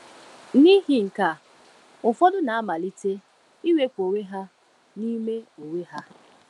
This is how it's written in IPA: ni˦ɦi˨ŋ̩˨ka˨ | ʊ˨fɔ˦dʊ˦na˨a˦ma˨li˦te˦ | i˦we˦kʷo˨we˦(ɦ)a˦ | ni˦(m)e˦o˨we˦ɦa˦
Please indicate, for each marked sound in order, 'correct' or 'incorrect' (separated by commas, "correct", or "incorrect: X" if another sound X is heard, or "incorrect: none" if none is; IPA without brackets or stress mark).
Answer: correct, correct